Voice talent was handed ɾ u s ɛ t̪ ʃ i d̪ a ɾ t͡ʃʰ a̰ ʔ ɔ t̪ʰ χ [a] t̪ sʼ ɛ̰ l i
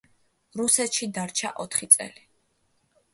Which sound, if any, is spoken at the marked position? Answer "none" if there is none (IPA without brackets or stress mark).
i